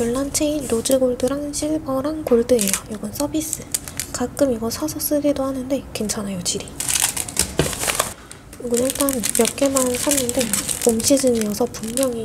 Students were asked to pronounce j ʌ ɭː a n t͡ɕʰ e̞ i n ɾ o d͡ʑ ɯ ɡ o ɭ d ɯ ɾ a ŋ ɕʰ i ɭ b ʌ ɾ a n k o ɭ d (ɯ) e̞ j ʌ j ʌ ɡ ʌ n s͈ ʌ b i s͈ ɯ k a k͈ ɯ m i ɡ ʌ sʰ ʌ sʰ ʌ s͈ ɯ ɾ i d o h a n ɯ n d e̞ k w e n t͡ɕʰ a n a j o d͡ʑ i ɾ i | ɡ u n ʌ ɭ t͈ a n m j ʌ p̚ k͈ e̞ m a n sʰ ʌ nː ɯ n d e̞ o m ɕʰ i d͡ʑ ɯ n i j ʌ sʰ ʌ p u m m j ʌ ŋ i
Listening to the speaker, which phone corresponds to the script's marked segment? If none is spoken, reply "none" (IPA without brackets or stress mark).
ɯ